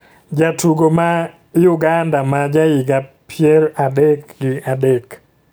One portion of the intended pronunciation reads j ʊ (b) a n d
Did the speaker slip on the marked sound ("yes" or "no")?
yes